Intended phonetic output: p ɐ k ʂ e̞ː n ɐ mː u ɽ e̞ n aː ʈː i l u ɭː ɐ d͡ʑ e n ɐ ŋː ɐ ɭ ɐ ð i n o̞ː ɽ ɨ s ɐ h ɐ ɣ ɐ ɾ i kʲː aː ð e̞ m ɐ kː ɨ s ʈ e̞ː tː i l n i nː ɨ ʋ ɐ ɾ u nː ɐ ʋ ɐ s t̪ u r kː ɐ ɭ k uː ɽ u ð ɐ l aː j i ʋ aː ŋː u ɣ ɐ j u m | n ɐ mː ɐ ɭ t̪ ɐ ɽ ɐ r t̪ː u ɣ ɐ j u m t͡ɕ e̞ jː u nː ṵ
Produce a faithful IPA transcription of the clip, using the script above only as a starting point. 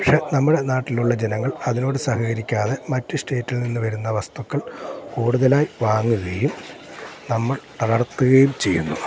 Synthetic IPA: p ɐ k ʂ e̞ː n ɐ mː u ɽ e̞ n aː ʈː i l u ɭː ɐ d͡ʑ e n ɐ ŋː ɐ ɭ ɐ ð i n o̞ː ɽ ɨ s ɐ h ɐ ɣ ɐ ɾ i kʲː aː ð e̞ m ɐ tː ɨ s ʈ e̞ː tː i l n i nː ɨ ʋ ɐ ɾ u nː ɐ ʋ ɐ s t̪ u kː ɐ ɭ k uː ɽ u ð ɐ l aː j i ʋ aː ŋː u ɣ ɐ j u m | n ɐ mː ɐ ɭ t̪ ɐ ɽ ɐ r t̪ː u ɣ ɐ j u m t͡ɕ e̞ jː u nː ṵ